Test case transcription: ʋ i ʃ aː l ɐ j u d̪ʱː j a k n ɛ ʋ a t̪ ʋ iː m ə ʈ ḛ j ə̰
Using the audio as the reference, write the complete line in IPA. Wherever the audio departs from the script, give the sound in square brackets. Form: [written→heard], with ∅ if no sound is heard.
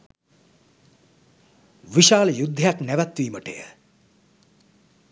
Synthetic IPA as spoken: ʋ i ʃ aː l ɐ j u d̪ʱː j a k n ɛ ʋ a t̪ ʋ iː m ə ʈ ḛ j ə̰